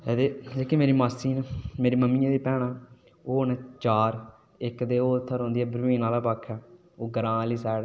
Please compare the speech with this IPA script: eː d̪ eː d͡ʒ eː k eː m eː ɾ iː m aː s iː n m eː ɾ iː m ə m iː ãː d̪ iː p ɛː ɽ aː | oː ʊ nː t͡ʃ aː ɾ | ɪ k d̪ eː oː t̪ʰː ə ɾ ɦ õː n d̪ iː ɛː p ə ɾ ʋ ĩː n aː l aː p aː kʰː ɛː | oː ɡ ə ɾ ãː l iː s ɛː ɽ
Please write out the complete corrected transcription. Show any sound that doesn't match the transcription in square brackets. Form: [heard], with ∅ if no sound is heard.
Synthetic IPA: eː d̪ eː d͡ʒ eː k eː m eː ɾ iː m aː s iː n m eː ɾ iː m ə m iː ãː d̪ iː p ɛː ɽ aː | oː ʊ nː t͡ʃ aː ɾ | ɪ k d̪ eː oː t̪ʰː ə ɾ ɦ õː n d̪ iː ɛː [b] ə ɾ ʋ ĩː n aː l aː p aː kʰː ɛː | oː ɡ ə ɾ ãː l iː s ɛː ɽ